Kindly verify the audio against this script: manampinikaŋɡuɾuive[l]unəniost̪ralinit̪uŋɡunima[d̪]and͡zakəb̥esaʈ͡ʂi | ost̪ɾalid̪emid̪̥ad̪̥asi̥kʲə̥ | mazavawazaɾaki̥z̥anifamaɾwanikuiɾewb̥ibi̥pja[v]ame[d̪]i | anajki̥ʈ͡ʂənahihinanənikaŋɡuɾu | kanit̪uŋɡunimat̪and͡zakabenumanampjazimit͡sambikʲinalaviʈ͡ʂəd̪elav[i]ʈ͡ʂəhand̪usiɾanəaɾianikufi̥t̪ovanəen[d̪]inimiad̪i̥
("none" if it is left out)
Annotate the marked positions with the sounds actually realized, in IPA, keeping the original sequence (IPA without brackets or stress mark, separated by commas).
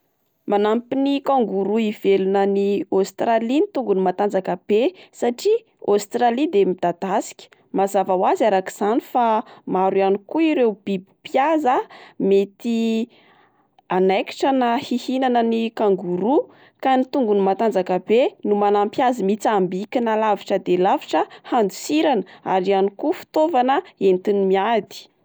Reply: l, t̪, z, t̪, i, t̪